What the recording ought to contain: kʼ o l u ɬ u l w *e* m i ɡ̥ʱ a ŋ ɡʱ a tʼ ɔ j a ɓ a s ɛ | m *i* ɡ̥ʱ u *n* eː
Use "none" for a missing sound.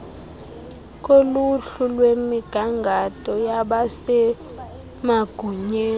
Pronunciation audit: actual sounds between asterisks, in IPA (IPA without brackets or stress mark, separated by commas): e, a, ɲ